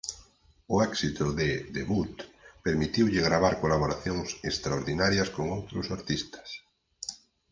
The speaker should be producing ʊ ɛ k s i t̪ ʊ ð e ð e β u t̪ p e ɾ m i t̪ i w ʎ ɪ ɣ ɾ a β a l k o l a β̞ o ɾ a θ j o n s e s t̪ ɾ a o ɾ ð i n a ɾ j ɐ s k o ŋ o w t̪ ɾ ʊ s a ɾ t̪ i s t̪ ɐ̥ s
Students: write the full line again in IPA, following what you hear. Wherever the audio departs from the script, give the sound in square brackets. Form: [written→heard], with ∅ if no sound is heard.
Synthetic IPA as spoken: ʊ ɛ k s i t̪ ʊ ð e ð e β u t̪ p e ɾ m i t̪ i w ʎ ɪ ɣ ɾ a β a [l→ɾ] k o l a β̞ o ɾ a θ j o [n→ŋ] s e s t̪ ɾ a o ɾ ð i n a ɾ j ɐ s k o ŋ o w t̪ ɾ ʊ s a ɾ t̪ i s t̪ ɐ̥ s